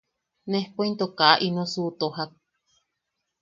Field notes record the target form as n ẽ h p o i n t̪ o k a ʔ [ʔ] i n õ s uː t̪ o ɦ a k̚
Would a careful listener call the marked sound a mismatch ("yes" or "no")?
no